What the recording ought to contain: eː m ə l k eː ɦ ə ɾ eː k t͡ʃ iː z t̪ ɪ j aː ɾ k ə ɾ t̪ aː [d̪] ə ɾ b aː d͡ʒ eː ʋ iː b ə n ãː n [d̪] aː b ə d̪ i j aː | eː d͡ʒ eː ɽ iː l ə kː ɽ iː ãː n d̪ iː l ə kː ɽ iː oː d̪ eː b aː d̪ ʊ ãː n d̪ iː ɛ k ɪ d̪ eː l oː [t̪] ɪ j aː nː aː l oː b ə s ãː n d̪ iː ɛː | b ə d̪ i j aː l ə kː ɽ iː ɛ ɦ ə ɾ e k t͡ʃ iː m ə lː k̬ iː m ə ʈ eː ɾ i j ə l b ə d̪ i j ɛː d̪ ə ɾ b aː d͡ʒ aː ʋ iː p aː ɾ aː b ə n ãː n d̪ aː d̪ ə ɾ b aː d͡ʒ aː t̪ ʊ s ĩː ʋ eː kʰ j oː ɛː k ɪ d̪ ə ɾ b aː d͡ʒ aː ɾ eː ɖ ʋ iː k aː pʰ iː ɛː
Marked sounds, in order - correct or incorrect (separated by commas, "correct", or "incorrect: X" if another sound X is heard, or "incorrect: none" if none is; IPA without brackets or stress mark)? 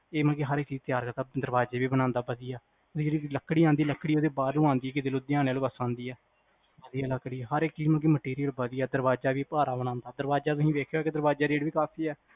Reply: correct, correct, incorrect: d̪